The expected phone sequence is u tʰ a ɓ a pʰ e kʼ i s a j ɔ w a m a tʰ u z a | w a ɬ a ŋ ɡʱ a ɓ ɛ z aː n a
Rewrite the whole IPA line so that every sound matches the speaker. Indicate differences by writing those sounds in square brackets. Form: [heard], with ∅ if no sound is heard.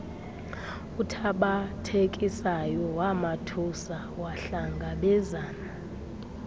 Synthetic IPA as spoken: u tʰ a ɓ a [tʰ] e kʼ i s a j ɔ w a m a tʰ u [s] a | w a ɬ a ŋ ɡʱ a ɓ ɛ z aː n a